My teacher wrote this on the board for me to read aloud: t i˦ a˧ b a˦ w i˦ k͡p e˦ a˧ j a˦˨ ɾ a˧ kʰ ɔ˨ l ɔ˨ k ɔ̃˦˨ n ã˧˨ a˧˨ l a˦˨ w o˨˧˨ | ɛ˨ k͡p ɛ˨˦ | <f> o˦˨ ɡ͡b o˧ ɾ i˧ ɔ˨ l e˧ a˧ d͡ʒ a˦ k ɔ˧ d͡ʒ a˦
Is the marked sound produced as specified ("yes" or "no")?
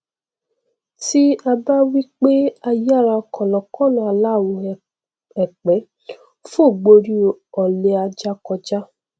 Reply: yes